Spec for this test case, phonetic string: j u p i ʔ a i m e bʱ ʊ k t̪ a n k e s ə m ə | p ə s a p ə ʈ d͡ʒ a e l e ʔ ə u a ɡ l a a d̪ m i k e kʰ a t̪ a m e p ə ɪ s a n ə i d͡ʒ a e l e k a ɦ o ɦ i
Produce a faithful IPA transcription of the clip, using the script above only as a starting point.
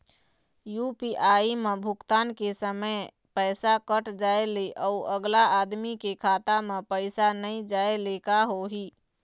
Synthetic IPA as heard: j u p i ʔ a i m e bʱ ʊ k t̪ a n k e s ə m ə | p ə s a k ə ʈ d͡ʒ a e l e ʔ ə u ə ɡ l a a d̪ m i k e kʰ a t̪ a m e p ə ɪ s a n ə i d͡ʒ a e l e k a ɦ o ɦ i